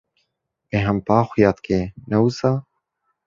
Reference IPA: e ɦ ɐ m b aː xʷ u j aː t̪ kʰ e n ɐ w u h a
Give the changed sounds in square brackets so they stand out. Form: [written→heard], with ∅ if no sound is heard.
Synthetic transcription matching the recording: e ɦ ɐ m [b→p] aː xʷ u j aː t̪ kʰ e n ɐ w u [h→s] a